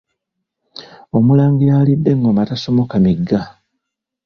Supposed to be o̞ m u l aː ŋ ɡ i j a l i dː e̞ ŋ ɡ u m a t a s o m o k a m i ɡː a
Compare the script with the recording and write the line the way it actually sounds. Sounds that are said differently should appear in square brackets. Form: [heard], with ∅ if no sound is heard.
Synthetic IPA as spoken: o̞ m u l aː ŋ ɡ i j a l i dː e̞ ŋ ɡ [o] m a t a s o m o k a m i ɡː a

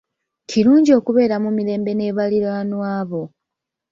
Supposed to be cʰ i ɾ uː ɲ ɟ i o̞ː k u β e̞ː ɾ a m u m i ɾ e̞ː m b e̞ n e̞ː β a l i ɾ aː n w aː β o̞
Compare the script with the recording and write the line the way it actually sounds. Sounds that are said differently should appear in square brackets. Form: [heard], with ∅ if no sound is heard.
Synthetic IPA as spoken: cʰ i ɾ uː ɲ ɟ i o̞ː k u β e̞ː ɾ a m u m i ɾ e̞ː m b e̞ n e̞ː β a l i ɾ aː n w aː β o̞

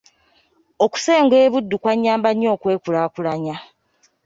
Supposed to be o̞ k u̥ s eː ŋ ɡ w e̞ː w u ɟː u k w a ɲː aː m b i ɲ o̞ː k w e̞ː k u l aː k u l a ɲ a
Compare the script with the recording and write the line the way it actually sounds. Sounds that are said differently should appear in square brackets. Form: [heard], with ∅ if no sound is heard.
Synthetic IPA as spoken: o̞ k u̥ s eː ŋ ɡ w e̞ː [β] u [dː] u k w a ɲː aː m b [a] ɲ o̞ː k w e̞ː k u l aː k u l a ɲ a

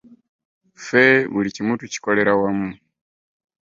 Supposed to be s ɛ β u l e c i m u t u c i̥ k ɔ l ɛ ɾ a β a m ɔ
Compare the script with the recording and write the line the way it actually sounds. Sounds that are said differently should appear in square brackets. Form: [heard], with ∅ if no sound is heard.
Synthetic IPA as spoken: [f] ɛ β u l [i] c i m u t u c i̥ k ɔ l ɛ ɾ a [w] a m [u]

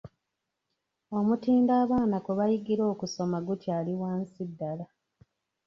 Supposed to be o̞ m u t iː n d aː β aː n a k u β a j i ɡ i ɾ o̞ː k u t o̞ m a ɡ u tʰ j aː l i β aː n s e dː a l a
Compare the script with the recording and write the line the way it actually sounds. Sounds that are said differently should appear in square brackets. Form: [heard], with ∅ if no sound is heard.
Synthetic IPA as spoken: o̞ m u t iː n d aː β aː n a k u β a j i ɡ i ɾ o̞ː k u [s] o̞ m a ɡ u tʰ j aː l i [w] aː n s [i] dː a l a

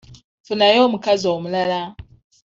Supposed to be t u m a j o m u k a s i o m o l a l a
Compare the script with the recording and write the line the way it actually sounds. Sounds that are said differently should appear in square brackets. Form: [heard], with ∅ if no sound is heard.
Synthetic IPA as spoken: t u [n] a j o m u k a [z] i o m [u] l a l a

